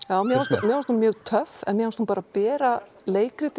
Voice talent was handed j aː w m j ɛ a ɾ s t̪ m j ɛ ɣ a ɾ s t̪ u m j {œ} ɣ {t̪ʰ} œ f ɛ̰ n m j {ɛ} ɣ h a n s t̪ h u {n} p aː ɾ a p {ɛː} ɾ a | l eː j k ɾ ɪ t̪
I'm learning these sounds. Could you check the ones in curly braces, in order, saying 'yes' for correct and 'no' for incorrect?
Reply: no, yes, yes, no, yes

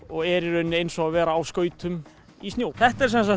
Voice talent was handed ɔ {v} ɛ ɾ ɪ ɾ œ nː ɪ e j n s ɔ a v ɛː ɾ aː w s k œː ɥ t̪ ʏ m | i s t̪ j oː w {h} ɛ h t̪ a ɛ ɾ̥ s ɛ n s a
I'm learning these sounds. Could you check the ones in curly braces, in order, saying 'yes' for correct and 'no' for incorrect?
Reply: no, no

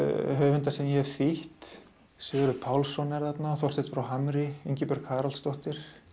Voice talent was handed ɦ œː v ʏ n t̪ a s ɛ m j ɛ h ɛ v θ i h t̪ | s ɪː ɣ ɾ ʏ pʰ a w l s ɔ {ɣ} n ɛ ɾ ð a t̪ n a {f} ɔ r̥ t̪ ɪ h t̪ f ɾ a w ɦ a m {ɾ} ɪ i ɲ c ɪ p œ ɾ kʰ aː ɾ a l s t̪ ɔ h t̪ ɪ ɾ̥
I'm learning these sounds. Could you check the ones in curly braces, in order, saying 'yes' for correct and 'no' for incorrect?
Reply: no, no, yes

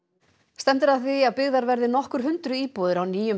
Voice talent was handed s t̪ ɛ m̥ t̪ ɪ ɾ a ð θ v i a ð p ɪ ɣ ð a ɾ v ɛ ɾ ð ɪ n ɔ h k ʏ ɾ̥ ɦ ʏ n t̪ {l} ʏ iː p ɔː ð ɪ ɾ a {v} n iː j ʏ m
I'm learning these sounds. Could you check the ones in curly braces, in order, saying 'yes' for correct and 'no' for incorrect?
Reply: no, no

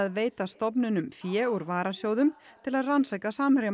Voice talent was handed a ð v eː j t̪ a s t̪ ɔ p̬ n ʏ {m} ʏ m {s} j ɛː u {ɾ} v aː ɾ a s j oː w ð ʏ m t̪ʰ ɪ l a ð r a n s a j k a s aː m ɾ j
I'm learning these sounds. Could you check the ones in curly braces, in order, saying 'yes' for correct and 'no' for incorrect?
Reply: no, no, yes

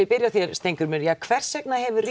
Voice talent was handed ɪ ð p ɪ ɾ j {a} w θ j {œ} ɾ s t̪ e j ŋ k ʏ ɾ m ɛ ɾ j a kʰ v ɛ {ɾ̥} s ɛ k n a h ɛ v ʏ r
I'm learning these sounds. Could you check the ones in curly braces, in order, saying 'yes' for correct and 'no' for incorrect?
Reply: yes, no, no

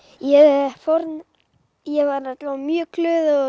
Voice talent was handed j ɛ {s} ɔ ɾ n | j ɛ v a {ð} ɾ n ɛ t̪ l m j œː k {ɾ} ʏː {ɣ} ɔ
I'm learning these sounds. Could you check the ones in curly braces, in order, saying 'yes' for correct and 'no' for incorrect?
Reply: no, no, no, no

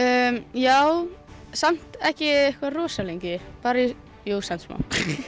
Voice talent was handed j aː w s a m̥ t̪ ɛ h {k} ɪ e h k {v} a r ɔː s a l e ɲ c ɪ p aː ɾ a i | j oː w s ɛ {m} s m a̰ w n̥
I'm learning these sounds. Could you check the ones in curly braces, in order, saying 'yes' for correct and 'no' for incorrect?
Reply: no, yes, no

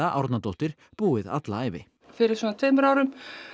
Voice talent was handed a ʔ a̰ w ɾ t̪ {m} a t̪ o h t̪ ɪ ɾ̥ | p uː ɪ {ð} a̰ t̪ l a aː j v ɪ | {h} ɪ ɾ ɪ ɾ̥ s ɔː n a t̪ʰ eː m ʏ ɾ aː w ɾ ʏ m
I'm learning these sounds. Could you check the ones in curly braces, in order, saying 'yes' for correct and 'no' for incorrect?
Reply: no, yes, no

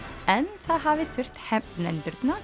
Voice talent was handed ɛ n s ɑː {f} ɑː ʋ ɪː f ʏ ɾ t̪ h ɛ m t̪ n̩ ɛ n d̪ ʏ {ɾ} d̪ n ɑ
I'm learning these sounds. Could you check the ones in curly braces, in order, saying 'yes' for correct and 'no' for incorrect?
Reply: no, yes

